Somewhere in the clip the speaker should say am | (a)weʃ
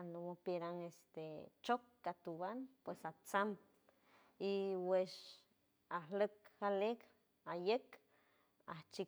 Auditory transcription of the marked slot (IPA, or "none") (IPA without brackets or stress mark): i